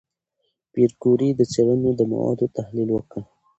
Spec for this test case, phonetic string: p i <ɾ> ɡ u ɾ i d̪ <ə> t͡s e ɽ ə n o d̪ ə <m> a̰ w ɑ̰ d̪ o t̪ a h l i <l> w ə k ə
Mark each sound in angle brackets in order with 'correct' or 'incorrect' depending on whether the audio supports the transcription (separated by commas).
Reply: correct, correct, correct, correct